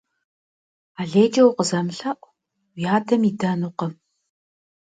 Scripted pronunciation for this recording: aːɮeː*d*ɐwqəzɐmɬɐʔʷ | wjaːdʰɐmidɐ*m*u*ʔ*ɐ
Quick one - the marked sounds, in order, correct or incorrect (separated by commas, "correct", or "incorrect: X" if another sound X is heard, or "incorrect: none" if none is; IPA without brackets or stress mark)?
incorrect: d͡ʒ, incorrect: n, incorrect: q